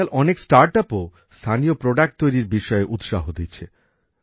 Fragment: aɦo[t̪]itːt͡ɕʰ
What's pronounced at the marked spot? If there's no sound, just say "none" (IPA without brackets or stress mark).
d̪